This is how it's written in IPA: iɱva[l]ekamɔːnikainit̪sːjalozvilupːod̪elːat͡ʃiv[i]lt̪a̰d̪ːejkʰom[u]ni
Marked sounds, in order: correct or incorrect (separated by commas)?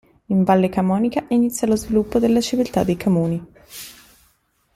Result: incorrect, correct, incorrect